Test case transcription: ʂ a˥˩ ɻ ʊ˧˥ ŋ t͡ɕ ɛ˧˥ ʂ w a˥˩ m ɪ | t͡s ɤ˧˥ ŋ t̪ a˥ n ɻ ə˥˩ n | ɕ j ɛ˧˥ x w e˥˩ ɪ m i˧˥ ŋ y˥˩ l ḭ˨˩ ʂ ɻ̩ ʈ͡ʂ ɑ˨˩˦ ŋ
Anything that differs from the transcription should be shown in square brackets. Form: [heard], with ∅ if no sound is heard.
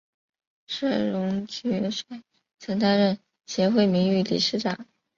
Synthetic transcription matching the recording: ʂ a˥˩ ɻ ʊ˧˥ ŋ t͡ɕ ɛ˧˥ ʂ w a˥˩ [∅] ɪ | [t͡sʰ] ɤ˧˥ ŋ t̪ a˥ n ɻ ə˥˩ n | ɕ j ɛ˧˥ x w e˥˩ ɪ m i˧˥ ŋ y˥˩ l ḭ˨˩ ʂ ɻ̩ ʈ͡ʂ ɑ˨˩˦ ŋ